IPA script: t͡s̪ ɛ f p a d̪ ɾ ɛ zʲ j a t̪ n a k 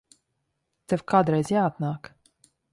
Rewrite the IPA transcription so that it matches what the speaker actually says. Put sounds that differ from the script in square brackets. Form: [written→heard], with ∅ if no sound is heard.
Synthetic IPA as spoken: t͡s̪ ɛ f [p→k] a d̪ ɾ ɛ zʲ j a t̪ n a k